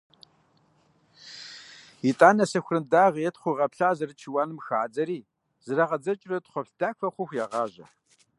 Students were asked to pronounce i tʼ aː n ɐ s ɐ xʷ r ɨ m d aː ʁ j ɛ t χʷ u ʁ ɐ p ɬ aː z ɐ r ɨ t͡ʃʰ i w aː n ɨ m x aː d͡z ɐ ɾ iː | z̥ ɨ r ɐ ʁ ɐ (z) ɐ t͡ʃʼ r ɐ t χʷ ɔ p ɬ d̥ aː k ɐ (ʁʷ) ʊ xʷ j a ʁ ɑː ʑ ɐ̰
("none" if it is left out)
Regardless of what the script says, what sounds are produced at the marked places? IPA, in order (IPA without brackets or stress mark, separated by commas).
d͡z, χʷ